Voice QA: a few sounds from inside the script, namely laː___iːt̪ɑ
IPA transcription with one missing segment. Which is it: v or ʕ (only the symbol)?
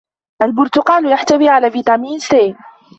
v